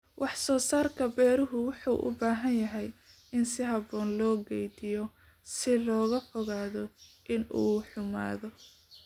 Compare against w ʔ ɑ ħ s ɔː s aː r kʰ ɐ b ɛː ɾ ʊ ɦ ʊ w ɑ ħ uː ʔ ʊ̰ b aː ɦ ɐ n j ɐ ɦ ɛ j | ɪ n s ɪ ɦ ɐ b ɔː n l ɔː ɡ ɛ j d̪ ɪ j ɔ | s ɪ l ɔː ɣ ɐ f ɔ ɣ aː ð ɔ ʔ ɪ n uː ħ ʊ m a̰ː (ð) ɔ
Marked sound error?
no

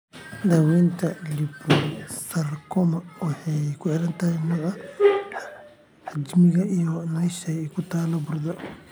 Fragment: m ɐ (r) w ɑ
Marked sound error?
yes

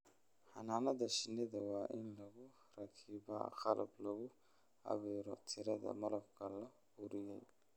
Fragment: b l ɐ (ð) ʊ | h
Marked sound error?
yes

